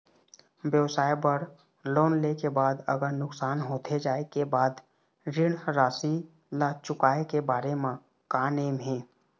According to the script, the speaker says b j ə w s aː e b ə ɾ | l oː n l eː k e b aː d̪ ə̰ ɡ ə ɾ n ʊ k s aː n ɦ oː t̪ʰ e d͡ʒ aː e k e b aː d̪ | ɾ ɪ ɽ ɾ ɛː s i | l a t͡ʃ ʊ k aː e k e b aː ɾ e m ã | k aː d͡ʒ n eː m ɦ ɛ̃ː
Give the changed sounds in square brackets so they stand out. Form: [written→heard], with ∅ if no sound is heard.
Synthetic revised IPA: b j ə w s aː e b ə ɾ | l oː n l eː k e b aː d̪ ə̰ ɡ ə ɾ n ʊ k s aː n ɦ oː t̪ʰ e d͡ʒ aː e k e b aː d̪ | ɾ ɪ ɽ ɾ [ɛː→aː] s i | l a t͡ʃ ʊ k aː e k e b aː ɾ e m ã | k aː [d͡ʒ→∅] n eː m ɦ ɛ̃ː

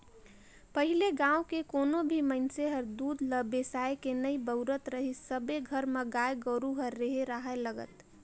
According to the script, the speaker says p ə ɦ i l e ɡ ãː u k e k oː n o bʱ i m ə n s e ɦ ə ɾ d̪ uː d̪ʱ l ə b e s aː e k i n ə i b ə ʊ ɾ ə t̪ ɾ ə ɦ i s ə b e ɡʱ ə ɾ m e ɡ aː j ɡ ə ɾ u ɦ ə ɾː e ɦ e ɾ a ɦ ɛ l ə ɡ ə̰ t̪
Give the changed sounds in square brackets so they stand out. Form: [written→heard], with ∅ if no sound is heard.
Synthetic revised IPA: p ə ɦ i l e ɡ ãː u k e k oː n o bʱ i m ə n s e ɦ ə ɾ d̪ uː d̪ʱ l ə b e s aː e k [i→e] n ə i b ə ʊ ɾ ə t̪ ɾ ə ɦ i s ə b e ɡʱ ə ɾ m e ɡ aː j ɡ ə ɾ u ɦ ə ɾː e ɦ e ɾ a ɦ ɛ l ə ɡ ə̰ t̪

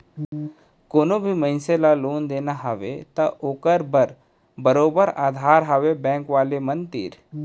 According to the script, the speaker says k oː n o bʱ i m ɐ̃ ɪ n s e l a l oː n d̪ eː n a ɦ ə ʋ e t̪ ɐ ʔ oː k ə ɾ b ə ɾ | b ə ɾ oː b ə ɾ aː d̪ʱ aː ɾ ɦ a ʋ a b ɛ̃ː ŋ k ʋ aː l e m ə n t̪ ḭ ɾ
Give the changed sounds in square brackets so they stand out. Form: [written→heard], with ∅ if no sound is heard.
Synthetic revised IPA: k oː n o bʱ i m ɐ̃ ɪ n s e l a l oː n d̪ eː n a ɦ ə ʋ e t̪ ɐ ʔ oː k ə ɾ b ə ɾ | b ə ɾ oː b ə ɾ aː d̪ʱ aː ɾ ɦ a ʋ [a→e] b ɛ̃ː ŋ k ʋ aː l e m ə n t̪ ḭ ɾ

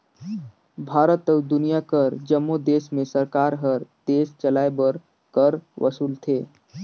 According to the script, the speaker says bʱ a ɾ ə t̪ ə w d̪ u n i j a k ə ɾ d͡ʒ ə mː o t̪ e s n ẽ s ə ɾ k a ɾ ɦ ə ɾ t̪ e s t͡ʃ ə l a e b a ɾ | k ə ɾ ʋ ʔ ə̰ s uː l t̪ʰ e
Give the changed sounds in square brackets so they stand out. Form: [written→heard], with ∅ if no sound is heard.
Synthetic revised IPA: bʱ a ɾ ə t̪ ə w d̪ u n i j a k ə ɾ d͡ʒ ə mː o [t̪→d̪] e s [n→m] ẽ s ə ɾ k a ɾ ɦ ə ɾ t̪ e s t͡ʃ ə l a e b [a→ə] ɾ | k ə ɾ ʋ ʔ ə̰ s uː l t̪ʰ e

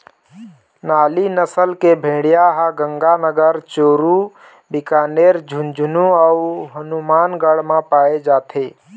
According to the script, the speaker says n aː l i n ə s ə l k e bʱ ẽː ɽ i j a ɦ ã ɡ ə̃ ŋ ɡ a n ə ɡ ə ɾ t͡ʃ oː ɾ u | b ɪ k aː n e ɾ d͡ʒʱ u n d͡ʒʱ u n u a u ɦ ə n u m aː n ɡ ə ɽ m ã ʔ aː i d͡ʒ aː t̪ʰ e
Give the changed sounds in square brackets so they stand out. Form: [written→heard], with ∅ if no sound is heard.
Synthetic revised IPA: n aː l i n ə s ə l k e bʱ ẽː ɽ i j a ɦ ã ɡ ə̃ ŋ ɡ a n ə ɡ ə ɾ t͡ʃ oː ɾ u | b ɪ k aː n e ɾ d͡ʒʱ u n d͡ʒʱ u n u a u ɦ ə n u m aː n ɡ ə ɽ m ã [ʔ→p] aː [i→e] d͡ʒ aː t̪ʰ e

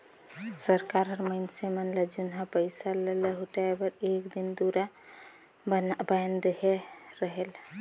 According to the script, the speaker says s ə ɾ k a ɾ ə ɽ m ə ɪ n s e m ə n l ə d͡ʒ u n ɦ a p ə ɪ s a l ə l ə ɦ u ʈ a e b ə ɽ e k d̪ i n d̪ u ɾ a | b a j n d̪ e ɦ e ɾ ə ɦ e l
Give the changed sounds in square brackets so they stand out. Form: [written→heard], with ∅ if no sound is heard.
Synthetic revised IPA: s ə ɾ k a ɾ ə [ɽ→ɾ] m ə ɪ n s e m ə n l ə d͡ʒ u n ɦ a p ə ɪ s a l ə l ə ɦ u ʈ a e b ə [ɽ→ɾ] e k d̪ i n d̪ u ɾ a | b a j n d̪ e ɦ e ɾ ə ɦ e l

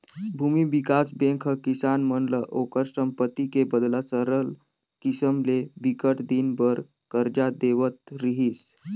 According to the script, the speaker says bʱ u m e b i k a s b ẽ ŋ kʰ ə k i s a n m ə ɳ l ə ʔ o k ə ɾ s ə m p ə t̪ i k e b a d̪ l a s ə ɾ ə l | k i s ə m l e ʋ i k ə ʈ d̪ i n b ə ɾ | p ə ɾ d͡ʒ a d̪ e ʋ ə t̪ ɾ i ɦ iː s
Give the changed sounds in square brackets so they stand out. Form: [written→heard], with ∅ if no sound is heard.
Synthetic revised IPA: bʱ u m [e→i] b i k a s b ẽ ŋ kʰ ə k i s a n m ə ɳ l ə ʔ o k ə ɾ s ə m p ə t̪ i k e b [a→ə] d̪ l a s ə ɾ ə l | k i s ə m l e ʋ i k ə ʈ d̪ i n b ə ɾ | [p→k] ə ɾ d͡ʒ a d̪ e ʋ ə t̪ ɾ i ɦ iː s

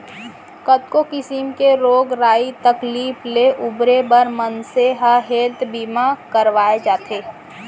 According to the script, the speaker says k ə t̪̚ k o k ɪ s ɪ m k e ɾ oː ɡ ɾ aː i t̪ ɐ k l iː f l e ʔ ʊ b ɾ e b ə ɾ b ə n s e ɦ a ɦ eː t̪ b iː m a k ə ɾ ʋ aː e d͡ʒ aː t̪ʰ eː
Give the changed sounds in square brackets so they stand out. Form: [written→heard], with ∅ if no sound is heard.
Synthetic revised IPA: k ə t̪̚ k o k ɪ s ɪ m k e ɾ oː ɡ ɾ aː i t̪ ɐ k l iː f l e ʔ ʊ b ɾ e b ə ɾ [b→m] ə n s e ɦ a ɦ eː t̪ b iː m a k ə ɾ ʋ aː e d͡ʒ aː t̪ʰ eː

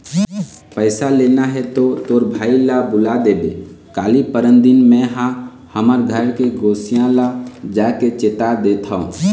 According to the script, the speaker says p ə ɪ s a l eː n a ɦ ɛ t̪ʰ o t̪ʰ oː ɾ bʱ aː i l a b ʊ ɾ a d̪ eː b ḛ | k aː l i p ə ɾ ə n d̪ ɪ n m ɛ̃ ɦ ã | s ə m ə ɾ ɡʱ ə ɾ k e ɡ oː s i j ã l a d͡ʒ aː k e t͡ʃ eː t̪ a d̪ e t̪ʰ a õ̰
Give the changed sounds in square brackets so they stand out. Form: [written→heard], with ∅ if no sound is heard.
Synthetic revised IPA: p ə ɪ s a l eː n a ɦ ɛ [t̪ʰ→t̪] o [t̪ʰ→t̪] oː ɾ bʱ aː i l a b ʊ [ɾ→l] a d̪ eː b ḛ | k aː l i p ə ɾ ə n d̪ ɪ n m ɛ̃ ɦ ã | [s→h] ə m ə ɾ ɡʱ ə ɾ k e ɡ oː s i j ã l a d͡ʒ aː k e t͡ʃ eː t̪ a d̪ e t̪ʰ a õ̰

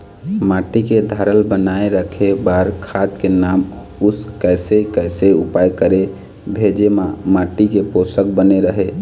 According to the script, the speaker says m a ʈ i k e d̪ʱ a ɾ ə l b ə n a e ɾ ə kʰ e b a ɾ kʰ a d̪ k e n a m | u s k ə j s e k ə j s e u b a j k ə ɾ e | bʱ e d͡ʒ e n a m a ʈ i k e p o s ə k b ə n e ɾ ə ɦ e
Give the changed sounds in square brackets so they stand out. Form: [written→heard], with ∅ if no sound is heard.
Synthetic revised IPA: m a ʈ i k e d̪ʱ a ɾ ə l b ə n a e ɾ ə kʰ e b a ɾ kʰ a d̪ k e n a m | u s k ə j s e k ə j s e u [b→p] a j k ə ɾ e | bʱ e d͡ʒ e [n→m] a m a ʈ i k e p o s ə k b ə n e ɾ ə ɦ e

